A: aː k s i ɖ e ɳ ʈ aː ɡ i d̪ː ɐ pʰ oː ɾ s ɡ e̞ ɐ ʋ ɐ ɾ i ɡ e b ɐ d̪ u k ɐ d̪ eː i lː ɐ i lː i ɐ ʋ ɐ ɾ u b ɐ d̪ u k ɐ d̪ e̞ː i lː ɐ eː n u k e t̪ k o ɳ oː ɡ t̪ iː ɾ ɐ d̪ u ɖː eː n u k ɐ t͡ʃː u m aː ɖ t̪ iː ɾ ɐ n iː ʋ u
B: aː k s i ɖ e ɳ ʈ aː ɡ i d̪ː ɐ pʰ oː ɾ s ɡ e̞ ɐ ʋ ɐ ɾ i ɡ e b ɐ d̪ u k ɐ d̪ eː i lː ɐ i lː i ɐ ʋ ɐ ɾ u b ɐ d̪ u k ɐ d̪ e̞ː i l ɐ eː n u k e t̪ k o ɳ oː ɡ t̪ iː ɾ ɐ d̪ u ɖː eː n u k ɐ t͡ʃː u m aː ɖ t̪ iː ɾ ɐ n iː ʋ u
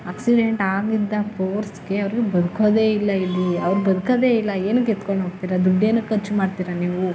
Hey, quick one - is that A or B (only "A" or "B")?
A